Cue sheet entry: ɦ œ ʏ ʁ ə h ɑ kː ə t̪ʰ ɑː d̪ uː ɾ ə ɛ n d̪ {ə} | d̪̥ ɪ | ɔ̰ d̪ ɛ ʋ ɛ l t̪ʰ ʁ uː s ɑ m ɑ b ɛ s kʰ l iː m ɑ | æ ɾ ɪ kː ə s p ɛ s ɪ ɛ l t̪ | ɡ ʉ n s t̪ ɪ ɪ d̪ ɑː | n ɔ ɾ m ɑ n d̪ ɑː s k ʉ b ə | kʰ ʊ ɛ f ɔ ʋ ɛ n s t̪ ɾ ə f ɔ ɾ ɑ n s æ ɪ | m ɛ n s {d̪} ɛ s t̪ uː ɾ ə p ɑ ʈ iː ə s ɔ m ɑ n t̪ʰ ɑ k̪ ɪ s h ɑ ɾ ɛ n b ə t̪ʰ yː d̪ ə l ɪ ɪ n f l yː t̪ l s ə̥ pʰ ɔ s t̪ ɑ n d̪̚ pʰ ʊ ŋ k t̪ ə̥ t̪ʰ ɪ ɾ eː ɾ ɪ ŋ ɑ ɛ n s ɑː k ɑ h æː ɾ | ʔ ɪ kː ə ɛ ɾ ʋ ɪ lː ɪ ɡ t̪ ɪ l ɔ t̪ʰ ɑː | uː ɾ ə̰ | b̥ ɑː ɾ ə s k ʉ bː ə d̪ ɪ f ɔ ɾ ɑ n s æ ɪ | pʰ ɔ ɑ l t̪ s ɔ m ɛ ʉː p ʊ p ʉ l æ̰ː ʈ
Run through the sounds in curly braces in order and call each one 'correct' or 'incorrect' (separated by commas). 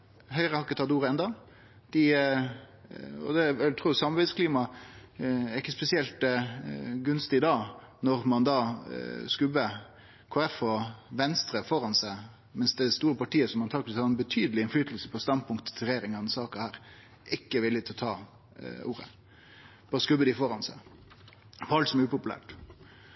incorrect, correct